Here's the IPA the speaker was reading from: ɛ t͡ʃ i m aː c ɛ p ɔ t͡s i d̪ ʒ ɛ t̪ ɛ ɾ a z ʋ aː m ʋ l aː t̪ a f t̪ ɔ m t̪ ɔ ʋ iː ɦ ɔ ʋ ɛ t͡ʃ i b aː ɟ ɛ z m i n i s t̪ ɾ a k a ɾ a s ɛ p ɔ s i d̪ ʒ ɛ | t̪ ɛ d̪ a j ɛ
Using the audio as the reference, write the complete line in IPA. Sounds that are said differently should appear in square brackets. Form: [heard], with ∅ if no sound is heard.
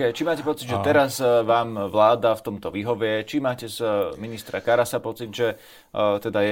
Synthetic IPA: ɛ t͡ʃ i m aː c ɛ p ɔ t͡s i d̪ ʒ ɛ t̪ ɛ ɾ a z ʋ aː m ʋ l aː [d̪] a f t̪ ɔ m t̪ ɔ ʋ iː ɦ ɔ ʋ ɛ t͡ʃ i [m] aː [c] ɛ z m i n i s t̪ ɾ a k a ɾ a s [a] p ɔ [t͡s] i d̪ ʒ ɛ | t̪ ɛ d̪ a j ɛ